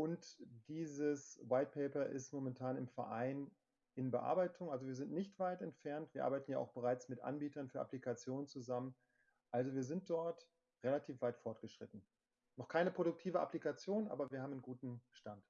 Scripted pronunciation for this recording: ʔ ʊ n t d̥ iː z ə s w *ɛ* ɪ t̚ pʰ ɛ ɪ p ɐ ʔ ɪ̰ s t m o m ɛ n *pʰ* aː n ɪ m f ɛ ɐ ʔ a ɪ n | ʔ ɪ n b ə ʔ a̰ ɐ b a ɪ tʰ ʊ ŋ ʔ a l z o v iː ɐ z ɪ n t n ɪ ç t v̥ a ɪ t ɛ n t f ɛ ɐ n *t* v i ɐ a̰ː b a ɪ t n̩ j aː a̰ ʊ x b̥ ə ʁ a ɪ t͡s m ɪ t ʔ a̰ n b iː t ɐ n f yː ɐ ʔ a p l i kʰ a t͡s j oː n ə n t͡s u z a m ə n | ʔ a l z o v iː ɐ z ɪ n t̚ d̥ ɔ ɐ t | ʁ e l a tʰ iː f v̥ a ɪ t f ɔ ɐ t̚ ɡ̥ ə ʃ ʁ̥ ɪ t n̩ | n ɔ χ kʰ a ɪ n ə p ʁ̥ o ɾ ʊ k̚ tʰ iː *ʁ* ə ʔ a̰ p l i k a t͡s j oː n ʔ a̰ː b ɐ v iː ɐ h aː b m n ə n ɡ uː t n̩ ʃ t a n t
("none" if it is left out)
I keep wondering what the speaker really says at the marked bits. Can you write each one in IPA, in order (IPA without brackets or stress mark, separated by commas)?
a, tʰ, t, v